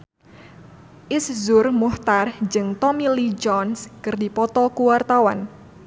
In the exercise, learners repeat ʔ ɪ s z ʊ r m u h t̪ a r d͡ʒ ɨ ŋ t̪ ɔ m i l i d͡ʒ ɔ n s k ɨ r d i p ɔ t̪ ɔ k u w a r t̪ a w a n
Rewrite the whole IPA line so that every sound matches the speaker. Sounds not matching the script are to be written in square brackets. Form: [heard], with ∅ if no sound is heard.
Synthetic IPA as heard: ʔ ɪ s z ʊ r m u h t̪ a r d͡ʒ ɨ ŋ t̪ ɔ m i l i d͡ʒ ɔ n s k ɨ r d i p ɔ t̪ ɔ k u w a r t̪ a w a n

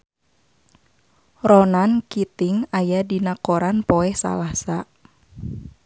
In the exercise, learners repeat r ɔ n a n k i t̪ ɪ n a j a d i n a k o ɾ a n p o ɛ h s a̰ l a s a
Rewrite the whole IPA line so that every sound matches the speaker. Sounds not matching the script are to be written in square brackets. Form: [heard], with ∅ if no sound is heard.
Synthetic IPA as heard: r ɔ n a n k i t̪ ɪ [ŋ] a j a d i n a k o ɾ a n p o ɛ h s a̰ l a s a

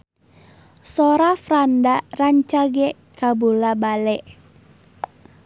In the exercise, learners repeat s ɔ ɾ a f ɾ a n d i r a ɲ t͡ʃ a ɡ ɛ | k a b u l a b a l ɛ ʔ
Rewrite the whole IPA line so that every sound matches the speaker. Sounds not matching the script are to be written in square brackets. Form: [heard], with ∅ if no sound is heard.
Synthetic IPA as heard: s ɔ ɾ a f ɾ a n d [a] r a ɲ t͡ʃ a ɡ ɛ | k a b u l a b a l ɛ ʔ

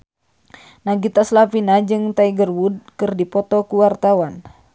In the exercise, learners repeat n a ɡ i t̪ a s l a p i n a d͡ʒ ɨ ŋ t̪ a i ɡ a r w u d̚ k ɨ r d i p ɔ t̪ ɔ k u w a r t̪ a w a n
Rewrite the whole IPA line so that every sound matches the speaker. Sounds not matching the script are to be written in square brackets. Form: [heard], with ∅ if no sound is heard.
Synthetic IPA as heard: n a ɡ i t̪ a s l a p i n a d͡ʒ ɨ ŋ t̪ a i ɡ [ə] r w u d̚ k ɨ r d i p ɔ t̪ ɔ k u w a r t̪ a w a n

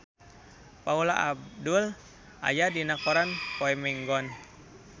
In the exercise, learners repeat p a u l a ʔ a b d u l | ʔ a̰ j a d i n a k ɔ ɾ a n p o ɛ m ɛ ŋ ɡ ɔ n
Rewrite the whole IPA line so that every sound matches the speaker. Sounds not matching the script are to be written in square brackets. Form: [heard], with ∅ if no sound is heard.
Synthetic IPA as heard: p a u l a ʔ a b d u l | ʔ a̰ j a d i n a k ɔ ɾ a n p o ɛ m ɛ ŋ ɡ ɔ n

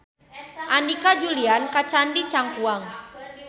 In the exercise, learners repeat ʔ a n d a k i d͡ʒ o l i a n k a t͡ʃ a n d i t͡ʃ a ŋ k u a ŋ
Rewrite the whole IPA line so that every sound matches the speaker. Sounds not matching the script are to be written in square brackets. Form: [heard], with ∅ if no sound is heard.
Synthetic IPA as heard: ʔ a n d [i] k [a] d͡ʒ [u] l i a n k a t͡ʃ a n d i t͡ʃ a ŋ k u a ŋ

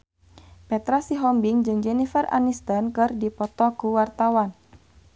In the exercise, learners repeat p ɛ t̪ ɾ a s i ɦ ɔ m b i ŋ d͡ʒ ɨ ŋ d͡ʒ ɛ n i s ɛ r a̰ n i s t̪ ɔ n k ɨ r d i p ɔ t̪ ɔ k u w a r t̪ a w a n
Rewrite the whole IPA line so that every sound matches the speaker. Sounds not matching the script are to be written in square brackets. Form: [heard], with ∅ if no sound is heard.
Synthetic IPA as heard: p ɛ t̪ ɾ a s i ɦ ɔ m b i ŋ d͡ʒ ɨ ŋ d͡ʒ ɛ n i [f] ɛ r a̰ n i s t̪ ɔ n k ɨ r d i p ɔ t̪ ɔ k u w a r t̪ a w a n

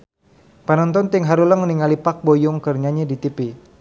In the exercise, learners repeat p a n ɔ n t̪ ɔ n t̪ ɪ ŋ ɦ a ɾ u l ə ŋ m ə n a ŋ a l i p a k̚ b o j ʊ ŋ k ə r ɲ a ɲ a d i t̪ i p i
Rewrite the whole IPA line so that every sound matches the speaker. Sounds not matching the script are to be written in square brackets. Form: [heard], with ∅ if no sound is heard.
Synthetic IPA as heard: p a n ɔ n t̪ ɔ n t̪ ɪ ŋ ɦ a ɾ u l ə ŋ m ə n [i] ŋ a l i p a k̚ b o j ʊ ŋ k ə r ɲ a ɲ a d i t̪ i p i

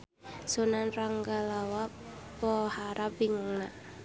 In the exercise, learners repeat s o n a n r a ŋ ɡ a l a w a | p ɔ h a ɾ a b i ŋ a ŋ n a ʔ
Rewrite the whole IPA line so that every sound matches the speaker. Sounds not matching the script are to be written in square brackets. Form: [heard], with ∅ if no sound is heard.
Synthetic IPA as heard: s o n a n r a ŋ ɡ a l a w a | p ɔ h a ɾ a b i ŋ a ŋ n a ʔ

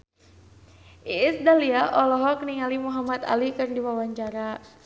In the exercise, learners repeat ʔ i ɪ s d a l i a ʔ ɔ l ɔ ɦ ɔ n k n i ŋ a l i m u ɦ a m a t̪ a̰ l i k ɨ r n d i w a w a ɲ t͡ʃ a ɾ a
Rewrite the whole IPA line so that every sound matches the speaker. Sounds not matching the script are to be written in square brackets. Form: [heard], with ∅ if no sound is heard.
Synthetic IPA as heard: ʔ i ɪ s d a l i a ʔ ɔ l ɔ ɦ ɔ [∅] k n i ŋ a l i m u ɦ a m a t̪ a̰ l i k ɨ r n d i w a w a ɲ t͡ʃ a ɾ a

